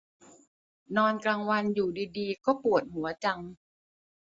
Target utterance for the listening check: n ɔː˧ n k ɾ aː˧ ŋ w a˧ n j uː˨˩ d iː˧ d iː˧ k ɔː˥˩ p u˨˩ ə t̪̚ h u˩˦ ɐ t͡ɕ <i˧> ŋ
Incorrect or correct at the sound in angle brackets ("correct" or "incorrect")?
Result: incorrect